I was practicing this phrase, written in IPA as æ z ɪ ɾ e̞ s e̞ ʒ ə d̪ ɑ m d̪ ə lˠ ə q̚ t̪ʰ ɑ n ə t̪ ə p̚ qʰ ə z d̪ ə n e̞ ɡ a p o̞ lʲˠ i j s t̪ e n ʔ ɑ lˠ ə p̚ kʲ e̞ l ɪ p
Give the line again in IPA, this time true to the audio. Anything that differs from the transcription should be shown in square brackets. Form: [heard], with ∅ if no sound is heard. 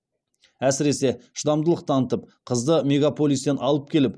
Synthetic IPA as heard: æ [s] ɪ ɾ e̞ s e̞ [ʃ] ə d̪ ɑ m d̪ ə lˠ ə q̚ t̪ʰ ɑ n ə t̪ ə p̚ qʰ ə z d̪ ə [m] e̞ ɡ a p o̞ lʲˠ i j s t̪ e n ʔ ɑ lˠ ə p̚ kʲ e̞ l ɪ p